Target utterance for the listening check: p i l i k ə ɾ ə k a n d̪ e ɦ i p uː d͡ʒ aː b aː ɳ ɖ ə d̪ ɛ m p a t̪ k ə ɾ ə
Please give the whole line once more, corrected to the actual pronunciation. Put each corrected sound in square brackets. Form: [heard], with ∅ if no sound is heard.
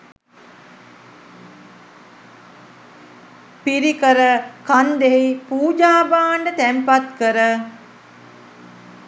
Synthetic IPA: p i [ɾ] i k ə ɾ ə k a n d̪ e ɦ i p uː d͡ʒ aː b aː ɳ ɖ ə [t̪] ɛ m p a t̪ k ə ɾ ə